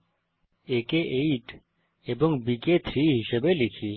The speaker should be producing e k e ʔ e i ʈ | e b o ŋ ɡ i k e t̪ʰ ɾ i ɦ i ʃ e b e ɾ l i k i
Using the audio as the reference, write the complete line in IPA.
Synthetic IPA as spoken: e k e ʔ e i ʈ | e b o ŋ b i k e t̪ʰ ɾ i ɦ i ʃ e b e l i kʰ i